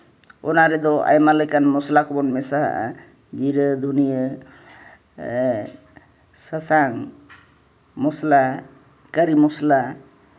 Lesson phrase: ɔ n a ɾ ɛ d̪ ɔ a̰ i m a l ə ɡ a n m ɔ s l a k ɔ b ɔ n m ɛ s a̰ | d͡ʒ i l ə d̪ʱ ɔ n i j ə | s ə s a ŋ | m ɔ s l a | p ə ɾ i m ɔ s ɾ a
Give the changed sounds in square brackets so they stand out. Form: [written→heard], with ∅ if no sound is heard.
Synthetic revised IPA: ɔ n a ɾ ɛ d̪ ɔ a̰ [i→j] m a l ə [ɡ→k] a n m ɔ s l a k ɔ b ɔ n m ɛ s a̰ | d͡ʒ i [l→ɾ] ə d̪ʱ [ɔ→u] n i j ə | s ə s a ŋ | m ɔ s l a | [p→k] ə ɾ i m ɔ s [ɾ→l] a